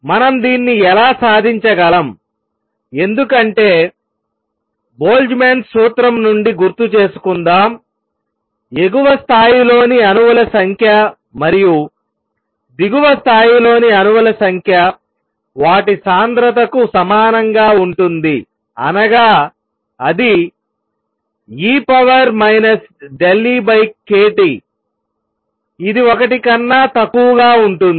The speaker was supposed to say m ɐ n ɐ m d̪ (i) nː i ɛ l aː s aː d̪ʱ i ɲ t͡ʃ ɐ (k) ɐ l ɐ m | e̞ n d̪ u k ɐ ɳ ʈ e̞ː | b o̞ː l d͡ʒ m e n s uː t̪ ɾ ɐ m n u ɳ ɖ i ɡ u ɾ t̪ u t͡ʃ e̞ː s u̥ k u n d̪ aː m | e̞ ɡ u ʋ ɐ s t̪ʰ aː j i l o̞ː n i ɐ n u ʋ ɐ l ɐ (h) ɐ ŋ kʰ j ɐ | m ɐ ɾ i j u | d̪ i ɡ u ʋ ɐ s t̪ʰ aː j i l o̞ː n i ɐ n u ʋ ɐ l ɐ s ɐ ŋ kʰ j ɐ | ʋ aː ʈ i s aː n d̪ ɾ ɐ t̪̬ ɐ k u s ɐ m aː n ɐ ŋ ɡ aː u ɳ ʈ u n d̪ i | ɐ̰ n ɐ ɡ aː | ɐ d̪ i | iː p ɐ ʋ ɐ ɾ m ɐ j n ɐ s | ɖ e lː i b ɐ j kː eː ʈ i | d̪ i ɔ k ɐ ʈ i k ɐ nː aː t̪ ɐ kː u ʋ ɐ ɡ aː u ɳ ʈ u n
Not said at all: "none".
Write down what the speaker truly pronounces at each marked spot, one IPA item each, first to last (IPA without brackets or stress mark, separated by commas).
iː, ɡ, s